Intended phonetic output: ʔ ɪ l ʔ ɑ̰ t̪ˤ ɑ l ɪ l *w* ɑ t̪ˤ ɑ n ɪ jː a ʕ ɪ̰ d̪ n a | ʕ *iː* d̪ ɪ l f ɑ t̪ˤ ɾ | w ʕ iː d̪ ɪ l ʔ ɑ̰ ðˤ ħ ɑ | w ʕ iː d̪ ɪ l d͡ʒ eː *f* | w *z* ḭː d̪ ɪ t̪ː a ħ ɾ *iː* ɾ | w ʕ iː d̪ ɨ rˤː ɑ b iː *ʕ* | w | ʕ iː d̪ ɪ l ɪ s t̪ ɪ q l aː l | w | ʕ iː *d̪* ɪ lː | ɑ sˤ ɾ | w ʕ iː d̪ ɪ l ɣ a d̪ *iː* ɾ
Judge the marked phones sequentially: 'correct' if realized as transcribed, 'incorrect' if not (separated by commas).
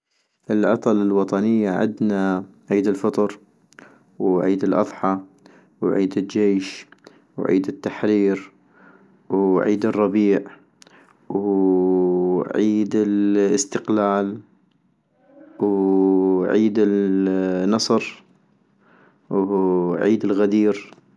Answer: correct, correct, incorrect, incorrect, correct, correct, correct, correct